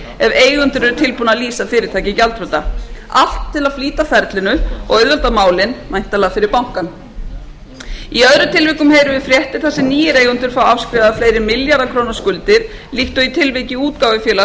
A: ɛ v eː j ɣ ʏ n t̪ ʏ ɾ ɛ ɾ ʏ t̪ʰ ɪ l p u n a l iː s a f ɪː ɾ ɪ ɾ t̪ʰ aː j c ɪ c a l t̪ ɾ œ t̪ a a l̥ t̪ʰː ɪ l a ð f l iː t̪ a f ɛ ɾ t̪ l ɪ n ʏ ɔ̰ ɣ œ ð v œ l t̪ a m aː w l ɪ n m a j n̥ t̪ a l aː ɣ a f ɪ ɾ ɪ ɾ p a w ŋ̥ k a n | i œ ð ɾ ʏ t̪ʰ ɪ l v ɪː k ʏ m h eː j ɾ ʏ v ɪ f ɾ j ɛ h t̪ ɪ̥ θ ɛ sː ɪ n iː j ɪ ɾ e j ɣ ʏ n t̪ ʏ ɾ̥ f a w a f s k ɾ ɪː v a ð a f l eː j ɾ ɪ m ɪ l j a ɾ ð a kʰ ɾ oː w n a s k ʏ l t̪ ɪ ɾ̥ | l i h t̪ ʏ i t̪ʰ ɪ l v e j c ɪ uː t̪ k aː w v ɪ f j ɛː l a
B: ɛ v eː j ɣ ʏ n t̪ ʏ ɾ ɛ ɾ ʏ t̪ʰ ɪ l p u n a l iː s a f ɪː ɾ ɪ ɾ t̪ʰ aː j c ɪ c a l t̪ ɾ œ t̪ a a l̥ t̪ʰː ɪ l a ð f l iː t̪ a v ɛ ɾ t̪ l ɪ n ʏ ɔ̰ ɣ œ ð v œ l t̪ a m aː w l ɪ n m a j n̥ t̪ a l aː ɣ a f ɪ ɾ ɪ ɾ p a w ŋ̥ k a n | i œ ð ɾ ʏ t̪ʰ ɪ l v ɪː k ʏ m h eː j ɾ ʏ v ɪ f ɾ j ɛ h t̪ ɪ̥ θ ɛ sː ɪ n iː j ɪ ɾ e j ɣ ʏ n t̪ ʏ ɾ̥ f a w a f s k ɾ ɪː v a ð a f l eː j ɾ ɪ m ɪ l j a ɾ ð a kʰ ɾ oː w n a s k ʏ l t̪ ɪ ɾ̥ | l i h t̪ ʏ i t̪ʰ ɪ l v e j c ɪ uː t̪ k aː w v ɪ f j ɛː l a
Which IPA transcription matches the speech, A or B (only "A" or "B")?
A